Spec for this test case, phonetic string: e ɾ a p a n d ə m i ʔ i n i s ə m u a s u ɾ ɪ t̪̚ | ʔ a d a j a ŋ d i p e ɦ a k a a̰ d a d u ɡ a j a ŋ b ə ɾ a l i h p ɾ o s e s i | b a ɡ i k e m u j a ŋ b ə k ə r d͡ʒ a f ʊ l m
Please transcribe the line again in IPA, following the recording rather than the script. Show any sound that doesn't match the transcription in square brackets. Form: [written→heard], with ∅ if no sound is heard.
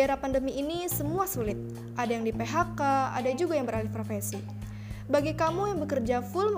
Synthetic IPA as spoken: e ɾ a p a n d ə m i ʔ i n i s ə m u a s u [ɾ→l] ɪ t̪̚ | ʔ a d a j a ŋ d i p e ɦ a k a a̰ d a [d→d͡ʒ] u ɡ a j a ŋ b ə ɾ a l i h p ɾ o [s→f] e s i | b a ɡ i k [e→a] m u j a ŋ b ə k ə r d͡ʒ a f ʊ l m